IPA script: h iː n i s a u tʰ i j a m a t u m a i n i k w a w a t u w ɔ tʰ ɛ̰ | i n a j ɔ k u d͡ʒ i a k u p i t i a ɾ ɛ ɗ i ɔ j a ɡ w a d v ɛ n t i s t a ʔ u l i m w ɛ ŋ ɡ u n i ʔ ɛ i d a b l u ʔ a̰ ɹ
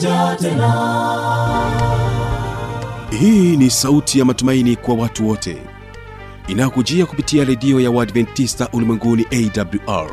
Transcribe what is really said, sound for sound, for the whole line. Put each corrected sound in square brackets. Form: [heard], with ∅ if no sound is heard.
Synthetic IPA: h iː n i s a u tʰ i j a m a t u m a i n i k w a w a t u w ɔ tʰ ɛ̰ | i n a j ɔ k u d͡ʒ i a k u p i t i a ɾ ɛ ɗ i ɔ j a [∅] w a d v ɛ n t i s t a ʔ u l i m w ɛ ŋ ɡ u n i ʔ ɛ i d a b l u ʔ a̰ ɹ